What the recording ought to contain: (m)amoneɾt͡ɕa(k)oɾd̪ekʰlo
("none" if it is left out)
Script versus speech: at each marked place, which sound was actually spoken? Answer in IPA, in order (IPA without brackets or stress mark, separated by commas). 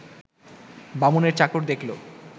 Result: b, k